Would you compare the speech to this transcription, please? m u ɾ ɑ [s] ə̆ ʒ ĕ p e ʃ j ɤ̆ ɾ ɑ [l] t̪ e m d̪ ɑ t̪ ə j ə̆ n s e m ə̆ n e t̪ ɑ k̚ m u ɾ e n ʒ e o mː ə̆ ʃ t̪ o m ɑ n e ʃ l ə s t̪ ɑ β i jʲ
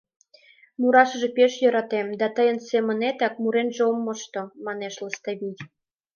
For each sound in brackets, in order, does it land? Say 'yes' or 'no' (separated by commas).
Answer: no, no